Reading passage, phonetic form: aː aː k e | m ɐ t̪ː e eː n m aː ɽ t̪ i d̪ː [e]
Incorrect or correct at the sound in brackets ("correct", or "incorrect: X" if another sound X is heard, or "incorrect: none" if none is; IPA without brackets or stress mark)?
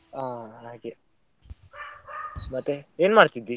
incorrect: i